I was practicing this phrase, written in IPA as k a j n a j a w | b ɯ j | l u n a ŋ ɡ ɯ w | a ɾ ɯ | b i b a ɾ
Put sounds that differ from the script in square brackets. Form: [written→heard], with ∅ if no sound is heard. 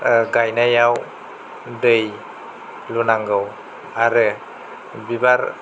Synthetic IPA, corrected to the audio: [k→ɡ] a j n a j a w | [b→d] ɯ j | l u n a ŋ ɡ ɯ w | a ɾ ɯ | b i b a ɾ